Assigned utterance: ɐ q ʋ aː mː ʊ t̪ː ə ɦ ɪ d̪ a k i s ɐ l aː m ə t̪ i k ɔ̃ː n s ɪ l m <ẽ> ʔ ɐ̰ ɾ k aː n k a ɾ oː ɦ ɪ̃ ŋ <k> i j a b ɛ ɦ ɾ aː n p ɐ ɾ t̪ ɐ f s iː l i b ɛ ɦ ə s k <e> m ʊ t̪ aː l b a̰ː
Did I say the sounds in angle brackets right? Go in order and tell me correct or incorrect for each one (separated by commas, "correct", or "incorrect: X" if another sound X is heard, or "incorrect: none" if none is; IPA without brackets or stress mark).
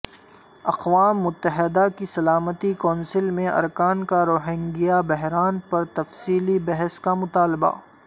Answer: correct, incorrect: ɡ, incorrect: a